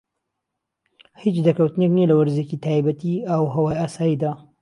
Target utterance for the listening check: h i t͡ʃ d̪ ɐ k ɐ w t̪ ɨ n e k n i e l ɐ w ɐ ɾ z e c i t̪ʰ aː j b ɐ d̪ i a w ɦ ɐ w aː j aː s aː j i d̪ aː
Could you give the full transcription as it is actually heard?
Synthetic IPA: h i t͡ʃ d̪ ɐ k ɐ w t̪ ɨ n e k n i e l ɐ w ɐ ɾ z e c i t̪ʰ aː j b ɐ t̪ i a w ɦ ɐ w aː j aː s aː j i d̪ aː